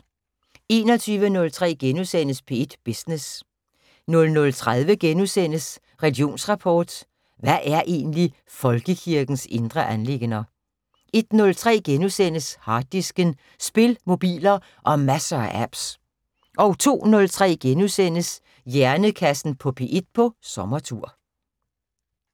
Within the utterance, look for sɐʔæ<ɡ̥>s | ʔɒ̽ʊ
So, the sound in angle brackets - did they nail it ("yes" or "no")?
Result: no